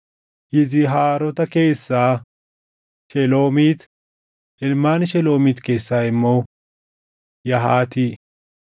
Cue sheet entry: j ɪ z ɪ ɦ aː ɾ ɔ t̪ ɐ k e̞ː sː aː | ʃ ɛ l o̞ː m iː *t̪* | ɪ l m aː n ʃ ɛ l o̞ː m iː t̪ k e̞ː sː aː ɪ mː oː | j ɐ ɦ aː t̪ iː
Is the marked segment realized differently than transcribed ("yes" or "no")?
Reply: no